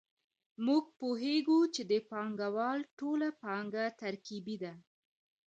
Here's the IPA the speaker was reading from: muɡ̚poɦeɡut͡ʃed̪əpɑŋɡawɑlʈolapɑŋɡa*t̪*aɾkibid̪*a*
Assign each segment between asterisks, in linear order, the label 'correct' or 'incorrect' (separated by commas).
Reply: correct, correct